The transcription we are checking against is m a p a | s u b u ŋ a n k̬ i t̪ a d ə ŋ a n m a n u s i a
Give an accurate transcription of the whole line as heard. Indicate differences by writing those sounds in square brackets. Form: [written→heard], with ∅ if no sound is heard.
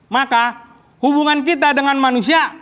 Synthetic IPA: m a [p→k] a | [s→h] u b u ŋ a n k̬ i t̪ a d ə ŋ a n m a n u s i a